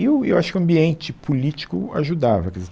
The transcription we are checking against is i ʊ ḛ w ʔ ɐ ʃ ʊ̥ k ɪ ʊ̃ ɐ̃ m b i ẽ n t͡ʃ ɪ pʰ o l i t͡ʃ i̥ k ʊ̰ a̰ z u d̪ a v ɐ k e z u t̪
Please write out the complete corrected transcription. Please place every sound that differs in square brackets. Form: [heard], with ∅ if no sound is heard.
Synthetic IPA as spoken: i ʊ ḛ w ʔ [a] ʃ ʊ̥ k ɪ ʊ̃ ɐ̃ m b i ẽ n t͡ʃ ɪ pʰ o l i t͡ʃ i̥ k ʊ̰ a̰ [ʒ] u d̪ a v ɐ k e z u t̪